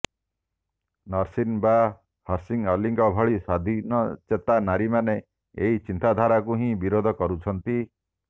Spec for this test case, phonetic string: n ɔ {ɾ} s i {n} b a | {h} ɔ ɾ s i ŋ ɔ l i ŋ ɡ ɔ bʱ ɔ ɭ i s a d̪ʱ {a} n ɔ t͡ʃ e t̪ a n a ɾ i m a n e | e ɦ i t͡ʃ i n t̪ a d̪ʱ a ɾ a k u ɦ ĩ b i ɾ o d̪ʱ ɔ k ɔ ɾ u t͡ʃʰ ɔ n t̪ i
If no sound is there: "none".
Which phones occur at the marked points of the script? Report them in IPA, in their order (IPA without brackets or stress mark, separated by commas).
ɾ, n, h, i